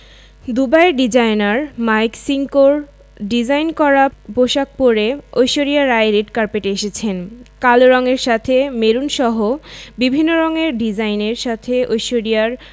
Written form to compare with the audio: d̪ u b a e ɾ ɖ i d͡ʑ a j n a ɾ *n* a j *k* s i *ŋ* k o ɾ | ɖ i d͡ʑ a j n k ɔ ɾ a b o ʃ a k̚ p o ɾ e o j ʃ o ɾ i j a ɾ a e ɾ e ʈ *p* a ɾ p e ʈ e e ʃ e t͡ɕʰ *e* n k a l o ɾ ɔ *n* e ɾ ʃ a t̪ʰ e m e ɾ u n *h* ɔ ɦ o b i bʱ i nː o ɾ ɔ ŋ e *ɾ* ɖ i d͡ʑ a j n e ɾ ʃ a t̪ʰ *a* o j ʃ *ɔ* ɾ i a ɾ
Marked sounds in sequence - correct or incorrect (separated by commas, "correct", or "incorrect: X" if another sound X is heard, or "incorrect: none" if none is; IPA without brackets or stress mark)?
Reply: incorrect: m, correct, correct, incorrect: k, correct, incorrect: ŋ, incorrect: ʃ, correct, incorrect: e, incorrect: o